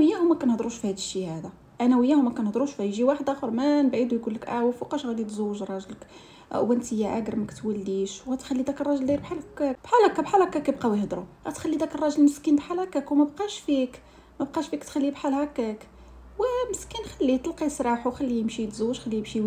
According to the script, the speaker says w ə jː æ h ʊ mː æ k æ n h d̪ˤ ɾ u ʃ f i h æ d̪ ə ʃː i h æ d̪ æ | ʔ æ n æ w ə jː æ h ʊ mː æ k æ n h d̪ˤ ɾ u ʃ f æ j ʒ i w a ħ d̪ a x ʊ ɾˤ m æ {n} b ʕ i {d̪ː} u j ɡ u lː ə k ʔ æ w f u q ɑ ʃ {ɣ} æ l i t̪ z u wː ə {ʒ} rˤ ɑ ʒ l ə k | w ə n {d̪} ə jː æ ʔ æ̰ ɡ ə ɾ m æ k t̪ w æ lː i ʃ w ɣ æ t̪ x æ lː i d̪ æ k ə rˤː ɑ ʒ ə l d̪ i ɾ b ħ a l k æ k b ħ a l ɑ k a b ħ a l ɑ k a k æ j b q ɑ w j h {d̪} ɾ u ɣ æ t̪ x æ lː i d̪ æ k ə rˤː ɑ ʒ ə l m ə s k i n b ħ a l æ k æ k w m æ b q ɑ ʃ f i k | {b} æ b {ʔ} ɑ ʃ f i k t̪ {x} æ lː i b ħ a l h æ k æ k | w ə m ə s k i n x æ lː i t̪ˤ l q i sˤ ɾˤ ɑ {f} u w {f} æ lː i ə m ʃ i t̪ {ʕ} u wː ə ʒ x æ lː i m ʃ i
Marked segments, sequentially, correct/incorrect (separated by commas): correct, incorrect, correct, correct, incorrect, correct, incorrect, incorrect, correct, incorrect, incorrect, incorrect